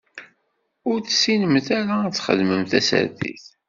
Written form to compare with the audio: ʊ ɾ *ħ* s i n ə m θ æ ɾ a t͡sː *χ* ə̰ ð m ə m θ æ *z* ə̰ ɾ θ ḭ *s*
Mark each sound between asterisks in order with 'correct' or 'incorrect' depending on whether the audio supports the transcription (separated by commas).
incorrect, correct, incorrect, incorrect